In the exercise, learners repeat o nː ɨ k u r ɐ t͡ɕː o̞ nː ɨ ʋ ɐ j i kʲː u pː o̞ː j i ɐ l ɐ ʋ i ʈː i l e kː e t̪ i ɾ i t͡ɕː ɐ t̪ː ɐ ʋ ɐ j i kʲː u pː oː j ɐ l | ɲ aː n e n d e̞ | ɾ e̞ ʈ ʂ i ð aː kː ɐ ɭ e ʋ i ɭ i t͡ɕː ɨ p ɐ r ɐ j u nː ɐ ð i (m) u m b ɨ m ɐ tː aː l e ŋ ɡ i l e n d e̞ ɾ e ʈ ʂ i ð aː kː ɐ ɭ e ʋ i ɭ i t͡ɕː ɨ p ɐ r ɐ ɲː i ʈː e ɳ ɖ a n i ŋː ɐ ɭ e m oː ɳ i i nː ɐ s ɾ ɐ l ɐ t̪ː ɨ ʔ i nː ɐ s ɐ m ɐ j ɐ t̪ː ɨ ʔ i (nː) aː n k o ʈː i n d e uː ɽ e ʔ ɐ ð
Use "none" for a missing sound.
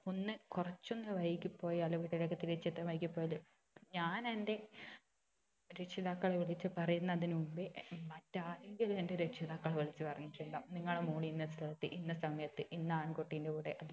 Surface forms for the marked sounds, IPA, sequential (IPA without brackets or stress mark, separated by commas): n, nː